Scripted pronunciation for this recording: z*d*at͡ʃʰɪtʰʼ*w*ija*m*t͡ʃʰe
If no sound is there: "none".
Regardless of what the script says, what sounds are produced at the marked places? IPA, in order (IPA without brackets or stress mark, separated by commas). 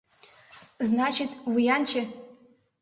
n, w, n